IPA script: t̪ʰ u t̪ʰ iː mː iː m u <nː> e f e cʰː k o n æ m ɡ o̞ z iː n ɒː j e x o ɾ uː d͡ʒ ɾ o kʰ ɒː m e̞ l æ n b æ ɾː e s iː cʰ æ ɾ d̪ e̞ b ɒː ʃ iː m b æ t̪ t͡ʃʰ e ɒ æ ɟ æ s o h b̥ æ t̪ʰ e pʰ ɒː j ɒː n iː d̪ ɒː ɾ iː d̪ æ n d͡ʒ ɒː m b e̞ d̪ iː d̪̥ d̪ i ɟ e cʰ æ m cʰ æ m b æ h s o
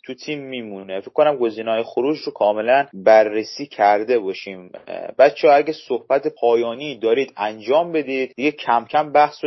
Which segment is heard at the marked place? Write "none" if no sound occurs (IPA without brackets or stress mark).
n